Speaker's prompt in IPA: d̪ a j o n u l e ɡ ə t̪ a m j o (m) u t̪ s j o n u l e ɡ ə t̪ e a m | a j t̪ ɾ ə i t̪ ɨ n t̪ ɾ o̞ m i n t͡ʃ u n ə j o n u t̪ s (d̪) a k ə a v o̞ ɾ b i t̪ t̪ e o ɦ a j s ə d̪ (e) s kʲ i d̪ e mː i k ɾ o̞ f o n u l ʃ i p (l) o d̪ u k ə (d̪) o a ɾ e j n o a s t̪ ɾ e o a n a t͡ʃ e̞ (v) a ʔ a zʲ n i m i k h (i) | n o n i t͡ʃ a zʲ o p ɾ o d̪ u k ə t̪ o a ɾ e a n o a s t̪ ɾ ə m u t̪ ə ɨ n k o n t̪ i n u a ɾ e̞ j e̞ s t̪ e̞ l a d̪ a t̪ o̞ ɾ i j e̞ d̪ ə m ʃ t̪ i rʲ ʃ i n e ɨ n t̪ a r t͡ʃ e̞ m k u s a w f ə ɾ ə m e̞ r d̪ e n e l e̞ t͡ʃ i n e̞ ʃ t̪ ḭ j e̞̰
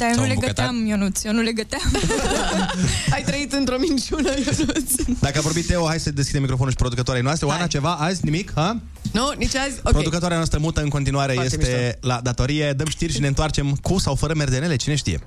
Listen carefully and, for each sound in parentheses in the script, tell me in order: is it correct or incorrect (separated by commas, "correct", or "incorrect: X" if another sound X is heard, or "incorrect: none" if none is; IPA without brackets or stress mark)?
incorrect: n, correct, correct, incorrect: ɾ, incorrect: t̪, correct, incorrect: a